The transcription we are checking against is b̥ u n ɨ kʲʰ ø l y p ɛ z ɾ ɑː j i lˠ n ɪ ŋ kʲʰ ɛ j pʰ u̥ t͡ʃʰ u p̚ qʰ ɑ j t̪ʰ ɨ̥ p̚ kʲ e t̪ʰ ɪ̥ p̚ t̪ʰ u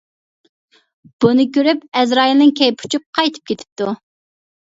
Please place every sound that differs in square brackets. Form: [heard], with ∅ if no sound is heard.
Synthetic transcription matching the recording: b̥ u n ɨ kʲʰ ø [ɾ] y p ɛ z ɾ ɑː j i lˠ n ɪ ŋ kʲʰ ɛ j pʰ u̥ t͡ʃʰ u p̚ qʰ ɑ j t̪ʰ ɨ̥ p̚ kʲ e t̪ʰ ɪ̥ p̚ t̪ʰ u